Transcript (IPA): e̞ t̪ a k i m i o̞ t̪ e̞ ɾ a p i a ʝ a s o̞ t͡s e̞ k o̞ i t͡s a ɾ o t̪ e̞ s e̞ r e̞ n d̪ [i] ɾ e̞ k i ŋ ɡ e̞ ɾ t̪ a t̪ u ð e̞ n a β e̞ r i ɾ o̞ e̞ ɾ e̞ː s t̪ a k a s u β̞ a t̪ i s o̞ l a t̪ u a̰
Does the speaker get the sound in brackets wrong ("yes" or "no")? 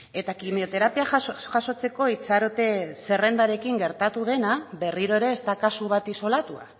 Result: yes